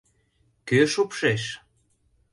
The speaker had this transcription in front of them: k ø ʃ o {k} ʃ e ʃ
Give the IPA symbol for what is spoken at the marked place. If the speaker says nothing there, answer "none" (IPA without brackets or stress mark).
p